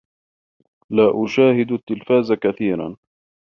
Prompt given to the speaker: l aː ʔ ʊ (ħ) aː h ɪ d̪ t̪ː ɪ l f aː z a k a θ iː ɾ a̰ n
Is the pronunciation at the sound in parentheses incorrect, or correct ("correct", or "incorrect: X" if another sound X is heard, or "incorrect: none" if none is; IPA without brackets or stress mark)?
incorrect: ʃ